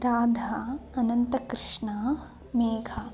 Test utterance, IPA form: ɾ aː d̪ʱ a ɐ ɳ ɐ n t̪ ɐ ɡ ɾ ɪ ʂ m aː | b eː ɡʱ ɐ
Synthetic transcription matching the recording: ɾ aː d̪ʱ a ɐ n ɐ n t̪ ɐ k ɾ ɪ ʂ ɳ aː | m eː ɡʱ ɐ